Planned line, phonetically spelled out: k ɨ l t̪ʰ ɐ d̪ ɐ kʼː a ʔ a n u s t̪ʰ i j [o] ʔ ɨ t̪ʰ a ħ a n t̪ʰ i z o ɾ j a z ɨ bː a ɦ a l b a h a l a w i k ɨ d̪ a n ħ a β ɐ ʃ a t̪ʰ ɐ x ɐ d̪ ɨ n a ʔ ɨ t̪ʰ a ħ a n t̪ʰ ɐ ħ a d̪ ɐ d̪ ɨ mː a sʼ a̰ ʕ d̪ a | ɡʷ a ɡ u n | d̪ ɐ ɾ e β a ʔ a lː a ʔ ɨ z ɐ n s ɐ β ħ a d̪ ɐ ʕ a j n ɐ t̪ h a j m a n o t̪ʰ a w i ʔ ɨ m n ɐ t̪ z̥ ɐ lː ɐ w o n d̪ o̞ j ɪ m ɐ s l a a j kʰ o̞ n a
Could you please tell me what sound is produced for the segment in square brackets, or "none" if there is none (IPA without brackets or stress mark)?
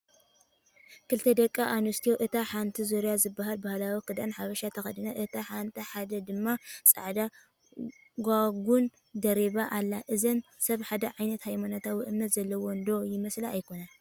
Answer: o